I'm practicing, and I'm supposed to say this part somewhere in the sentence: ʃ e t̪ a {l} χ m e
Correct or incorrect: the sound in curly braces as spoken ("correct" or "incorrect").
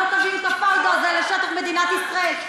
incorrect